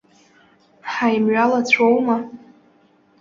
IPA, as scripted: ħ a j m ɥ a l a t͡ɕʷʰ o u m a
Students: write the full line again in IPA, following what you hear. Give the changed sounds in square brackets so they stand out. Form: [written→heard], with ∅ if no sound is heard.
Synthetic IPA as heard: ħ a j m ɥ a l a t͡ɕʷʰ o [u→w] m a